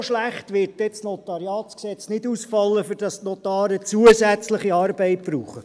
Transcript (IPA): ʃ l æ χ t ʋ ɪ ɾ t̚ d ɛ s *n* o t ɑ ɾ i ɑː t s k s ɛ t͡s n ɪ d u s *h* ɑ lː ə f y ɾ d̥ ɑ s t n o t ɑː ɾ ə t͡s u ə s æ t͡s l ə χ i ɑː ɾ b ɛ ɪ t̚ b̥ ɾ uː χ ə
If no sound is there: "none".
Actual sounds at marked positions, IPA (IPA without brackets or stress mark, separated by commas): n, f